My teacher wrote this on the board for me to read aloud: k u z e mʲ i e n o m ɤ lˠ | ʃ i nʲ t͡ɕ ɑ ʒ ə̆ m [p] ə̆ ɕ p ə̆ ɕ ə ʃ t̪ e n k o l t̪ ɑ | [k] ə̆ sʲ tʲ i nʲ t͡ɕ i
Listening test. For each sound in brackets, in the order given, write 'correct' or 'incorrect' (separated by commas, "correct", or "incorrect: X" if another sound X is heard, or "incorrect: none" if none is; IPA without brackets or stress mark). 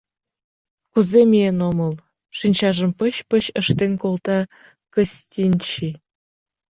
correct, correct